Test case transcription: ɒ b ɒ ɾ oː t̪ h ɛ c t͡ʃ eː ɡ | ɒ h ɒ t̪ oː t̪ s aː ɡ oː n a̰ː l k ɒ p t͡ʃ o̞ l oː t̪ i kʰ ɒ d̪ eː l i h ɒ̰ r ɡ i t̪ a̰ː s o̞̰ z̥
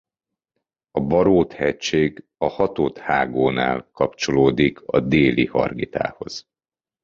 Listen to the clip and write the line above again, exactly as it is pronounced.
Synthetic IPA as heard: ɒ b ɒ ɾ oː t̪ h ɛ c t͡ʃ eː ɡ | ɒ h ɒ t̪ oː t̪ h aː ɡ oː n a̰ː l k ɒ p t͡ʃ o̞ l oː d̪ i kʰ ɒ d̪ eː l i h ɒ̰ r ɡ i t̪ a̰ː h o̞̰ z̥